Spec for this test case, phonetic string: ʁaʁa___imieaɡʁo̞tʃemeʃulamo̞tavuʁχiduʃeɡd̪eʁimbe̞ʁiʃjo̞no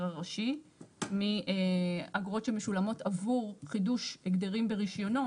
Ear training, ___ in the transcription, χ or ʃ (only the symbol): ʃ